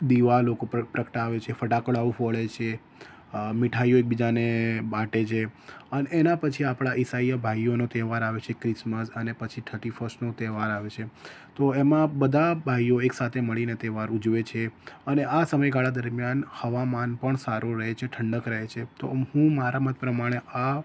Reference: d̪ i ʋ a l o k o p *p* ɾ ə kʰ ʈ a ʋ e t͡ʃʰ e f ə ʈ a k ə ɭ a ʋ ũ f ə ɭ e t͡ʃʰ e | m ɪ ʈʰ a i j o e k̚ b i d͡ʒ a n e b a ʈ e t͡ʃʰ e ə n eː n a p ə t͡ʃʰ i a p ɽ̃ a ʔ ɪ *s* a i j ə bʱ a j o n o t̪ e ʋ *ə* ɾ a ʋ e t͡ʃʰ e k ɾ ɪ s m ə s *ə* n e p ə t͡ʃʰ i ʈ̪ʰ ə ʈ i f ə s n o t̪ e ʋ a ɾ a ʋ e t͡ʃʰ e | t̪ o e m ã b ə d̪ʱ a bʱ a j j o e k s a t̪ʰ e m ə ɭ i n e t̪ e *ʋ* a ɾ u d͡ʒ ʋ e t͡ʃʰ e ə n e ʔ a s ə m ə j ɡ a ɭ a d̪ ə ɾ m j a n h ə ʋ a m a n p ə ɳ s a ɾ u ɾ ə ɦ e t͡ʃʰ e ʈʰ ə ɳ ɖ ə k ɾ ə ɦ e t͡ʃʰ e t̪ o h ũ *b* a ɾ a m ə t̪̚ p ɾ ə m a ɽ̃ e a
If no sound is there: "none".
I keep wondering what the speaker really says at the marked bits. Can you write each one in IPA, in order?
p, s, a, ə, ʋ, m

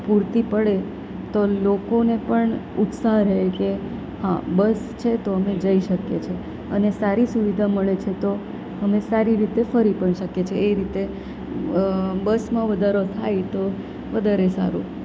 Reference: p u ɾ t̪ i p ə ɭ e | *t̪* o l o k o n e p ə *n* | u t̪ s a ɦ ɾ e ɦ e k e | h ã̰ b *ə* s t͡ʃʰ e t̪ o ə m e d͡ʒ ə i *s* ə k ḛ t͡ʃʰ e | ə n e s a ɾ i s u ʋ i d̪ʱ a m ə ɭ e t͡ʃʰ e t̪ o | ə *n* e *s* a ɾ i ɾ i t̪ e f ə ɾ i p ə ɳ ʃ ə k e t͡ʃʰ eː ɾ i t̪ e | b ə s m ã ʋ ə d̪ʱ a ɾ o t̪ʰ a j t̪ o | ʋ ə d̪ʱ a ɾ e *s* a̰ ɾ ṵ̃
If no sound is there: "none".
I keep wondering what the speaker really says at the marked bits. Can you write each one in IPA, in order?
t̪, ɳ, ə, ʃ, m, s, s

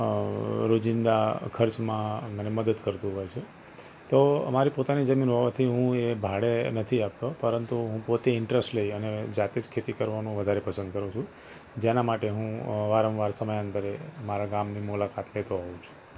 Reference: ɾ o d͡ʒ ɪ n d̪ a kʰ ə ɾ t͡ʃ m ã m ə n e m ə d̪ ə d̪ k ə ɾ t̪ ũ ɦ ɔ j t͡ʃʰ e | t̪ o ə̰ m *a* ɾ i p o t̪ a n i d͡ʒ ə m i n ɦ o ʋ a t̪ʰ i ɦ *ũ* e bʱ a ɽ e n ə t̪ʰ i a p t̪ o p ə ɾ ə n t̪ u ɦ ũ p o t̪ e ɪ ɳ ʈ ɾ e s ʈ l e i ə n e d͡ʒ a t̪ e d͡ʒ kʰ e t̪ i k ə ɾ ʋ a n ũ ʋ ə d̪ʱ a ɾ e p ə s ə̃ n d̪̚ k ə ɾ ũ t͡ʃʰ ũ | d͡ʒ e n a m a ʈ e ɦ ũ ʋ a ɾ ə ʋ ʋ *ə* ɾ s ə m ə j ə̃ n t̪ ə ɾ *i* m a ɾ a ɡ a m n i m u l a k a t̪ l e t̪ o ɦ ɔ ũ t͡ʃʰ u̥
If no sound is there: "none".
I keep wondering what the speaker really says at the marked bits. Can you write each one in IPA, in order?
a, ũ, a, e

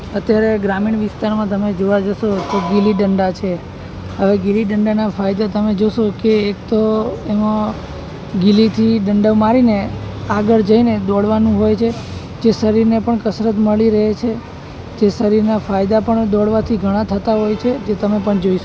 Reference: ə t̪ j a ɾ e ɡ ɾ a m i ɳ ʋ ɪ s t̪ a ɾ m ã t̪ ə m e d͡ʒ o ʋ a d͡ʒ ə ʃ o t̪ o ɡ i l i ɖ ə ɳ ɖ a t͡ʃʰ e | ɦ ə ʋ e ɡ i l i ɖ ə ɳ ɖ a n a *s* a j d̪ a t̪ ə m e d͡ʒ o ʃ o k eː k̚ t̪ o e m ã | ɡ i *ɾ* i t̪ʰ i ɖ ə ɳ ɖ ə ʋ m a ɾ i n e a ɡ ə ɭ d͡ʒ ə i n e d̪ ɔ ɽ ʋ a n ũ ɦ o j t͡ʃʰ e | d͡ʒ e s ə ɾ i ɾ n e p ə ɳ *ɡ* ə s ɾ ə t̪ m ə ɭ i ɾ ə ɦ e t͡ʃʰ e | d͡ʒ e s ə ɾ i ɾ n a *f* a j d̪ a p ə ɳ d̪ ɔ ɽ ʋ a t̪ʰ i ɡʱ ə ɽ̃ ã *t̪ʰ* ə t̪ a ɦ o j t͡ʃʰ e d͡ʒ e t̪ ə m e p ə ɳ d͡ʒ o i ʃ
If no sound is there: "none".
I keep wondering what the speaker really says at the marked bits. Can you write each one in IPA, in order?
f, l, k, f, t̪ʰ

